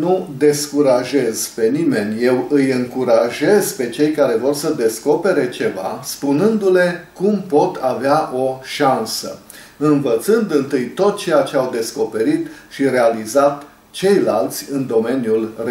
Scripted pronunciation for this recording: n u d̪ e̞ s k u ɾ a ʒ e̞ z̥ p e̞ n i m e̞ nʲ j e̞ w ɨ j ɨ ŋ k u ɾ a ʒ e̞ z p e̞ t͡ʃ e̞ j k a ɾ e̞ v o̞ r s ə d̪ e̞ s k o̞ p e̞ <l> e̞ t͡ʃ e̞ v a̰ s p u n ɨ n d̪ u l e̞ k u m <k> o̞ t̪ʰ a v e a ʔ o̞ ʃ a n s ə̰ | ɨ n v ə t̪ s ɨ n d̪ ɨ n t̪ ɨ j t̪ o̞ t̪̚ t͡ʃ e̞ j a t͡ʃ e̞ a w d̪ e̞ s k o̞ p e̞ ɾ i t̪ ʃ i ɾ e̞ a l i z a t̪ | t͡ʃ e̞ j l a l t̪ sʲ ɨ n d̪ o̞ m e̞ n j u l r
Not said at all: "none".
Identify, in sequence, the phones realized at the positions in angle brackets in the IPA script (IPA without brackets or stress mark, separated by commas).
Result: ɾ, p